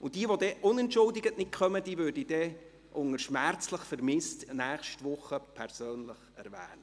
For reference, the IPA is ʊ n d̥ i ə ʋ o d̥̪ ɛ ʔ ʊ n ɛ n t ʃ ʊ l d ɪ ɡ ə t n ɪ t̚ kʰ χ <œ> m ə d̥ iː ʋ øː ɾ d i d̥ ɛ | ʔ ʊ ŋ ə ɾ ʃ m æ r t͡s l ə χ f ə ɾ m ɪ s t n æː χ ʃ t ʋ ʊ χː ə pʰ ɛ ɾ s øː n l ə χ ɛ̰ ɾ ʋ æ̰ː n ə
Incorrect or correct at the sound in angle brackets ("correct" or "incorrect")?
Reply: correct